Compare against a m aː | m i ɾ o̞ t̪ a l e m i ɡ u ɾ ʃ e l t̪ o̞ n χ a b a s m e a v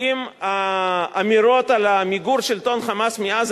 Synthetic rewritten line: i m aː | m i ɾ o̞ t̪ a l a m i ɡ u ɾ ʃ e l t̪ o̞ n χ a m a s m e a z